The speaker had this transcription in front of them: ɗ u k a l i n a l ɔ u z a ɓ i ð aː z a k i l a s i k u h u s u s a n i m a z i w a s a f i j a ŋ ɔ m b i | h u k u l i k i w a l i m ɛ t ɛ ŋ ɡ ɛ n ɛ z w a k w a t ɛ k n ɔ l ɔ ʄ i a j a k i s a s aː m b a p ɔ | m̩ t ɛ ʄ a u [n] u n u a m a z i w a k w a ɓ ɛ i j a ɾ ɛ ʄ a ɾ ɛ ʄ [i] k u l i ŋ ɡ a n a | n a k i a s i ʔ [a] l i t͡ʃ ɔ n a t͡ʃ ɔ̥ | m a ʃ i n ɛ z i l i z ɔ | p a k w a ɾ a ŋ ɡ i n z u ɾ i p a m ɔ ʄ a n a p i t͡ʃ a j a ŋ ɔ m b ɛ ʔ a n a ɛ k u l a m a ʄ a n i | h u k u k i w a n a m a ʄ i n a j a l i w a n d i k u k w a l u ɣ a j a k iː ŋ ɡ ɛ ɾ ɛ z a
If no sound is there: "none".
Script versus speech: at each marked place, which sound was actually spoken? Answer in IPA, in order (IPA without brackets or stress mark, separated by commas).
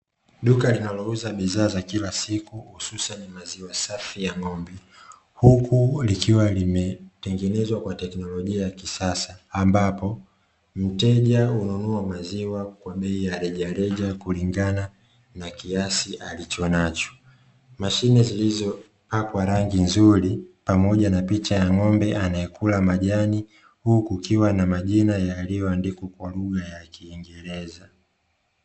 n, a, a